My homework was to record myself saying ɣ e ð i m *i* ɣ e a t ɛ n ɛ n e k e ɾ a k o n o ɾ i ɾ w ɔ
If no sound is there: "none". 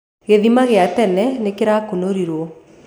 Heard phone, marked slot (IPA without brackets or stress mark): a